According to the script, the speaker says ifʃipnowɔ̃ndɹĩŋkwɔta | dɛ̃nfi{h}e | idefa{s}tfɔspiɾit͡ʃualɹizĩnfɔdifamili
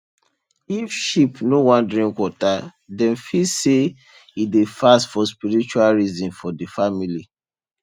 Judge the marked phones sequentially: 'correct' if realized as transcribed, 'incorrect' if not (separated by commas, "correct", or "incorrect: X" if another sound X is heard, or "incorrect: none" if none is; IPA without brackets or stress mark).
incorrect: s, correct